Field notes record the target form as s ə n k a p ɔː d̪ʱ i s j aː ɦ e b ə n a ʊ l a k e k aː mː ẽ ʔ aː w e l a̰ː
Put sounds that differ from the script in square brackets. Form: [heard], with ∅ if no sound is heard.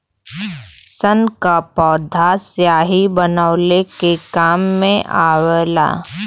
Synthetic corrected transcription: s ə n k a p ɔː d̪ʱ [a] s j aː ɦ [i] b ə n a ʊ l [e] k e k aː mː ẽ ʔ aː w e l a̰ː